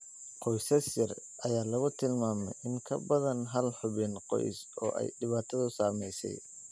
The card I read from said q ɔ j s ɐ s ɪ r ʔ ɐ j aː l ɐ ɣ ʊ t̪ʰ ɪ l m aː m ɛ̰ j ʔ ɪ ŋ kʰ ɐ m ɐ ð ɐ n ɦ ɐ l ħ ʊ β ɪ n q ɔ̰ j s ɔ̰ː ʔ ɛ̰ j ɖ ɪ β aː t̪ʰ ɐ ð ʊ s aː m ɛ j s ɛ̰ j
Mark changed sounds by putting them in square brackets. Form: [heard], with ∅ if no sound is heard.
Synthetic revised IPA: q ɔ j s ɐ s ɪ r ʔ ɐ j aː l ɐ ɣ ʊ t̪ʰ ɪ l m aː m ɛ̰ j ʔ ɪ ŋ kʰ ɐ [b] ɐ ð ɐ n ɦ ɐ l ħ ʊ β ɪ n q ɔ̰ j s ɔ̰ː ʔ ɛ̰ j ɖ ɪ β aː t̪ʰ ɐ ð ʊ s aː m ɛ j s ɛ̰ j